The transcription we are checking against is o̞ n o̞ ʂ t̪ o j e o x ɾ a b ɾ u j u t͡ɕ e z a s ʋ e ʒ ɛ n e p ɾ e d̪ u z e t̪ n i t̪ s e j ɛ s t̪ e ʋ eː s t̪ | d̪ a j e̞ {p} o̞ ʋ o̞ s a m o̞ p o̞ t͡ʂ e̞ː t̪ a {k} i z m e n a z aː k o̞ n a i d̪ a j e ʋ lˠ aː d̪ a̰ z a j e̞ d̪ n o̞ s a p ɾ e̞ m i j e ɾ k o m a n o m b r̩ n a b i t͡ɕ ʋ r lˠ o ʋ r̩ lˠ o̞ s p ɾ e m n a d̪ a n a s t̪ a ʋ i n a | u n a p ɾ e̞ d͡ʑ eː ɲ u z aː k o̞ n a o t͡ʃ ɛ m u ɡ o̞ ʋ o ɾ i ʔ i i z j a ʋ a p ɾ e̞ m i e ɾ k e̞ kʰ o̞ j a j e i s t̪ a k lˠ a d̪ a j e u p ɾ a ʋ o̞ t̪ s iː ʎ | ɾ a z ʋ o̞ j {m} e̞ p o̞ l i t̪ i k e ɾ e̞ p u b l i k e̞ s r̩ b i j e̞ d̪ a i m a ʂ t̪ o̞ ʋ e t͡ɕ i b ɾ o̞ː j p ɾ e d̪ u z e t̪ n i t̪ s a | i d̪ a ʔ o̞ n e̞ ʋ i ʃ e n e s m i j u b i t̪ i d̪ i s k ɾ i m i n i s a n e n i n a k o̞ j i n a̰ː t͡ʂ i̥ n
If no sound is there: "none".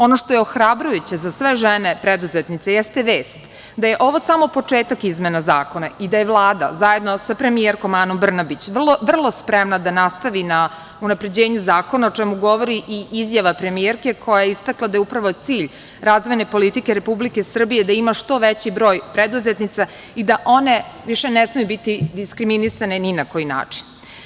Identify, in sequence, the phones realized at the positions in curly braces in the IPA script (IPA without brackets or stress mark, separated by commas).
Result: ʔ, k, n